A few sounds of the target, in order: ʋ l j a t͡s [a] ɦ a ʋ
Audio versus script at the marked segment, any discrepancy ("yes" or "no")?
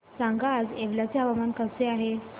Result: yes